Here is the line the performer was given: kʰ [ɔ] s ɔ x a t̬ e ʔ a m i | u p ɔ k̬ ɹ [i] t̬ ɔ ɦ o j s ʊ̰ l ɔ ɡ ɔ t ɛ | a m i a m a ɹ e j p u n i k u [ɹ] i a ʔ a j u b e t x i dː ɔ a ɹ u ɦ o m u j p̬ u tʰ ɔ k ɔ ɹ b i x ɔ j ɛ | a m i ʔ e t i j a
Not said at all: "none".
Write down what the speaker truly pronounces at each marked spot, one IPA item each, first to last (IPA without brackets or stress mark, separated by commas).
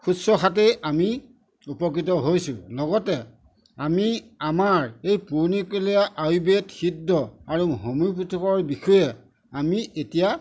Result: u, i, l